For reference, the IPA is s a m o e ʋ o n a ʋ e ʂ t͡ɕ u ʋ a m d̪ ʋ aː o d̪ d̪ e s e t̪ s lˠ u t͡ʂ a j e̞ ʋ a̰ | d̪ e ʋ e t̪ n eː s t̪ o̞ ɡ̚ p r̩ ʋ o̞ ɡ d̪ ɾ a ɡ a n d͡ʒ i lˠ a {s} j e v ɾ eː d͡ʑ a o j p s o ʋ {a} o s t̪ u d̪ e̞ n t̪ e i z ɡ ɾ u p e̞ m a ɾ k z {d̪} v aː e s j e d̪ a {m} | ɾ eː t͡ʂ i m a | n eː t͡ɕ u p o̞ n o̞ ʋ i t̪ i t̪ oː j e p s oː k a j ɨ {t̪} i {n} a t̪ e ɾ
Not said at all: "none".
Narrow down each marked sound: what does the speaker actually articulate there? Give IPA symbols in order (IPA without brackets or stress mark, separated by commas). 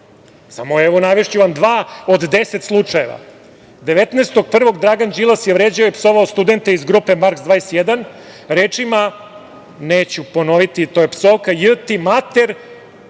s, a, d̪, n, t̪, m